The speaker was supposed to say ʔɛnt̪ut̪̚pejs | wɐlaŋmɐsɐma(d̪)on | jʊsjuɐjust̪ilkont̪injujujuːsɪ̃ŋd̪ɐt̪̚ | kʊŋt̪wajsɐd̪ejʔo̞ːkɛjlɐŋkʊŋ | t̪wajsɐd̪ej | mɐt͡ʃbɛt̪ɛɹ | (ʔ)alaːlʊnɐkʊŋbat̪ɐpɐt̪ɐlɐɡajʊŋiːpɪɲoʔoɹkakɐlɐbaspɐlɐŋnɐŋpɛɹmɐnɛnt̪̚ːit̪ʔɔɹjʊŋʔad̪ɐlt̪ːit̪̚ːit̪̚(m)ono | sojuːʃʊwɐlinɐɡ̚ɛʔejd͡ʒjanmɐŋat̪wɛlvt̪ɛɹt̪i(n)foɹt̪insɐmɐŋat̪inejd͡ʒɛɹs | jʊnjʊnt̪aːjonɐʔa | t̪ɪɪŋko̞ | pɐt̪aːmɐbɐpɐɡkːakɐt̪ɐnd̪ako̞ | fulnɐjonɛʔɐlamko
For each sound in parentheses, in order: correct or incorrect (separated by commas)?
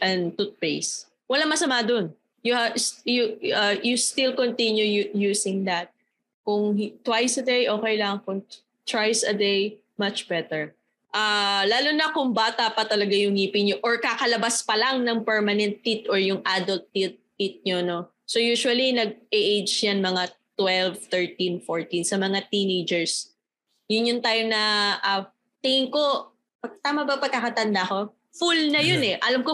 correct, correct, incorrect, correct